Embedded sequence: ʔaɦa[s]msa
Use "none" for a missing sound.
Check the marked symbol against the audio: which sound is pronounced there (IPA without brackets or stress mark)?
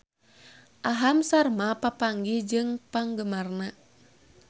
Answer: none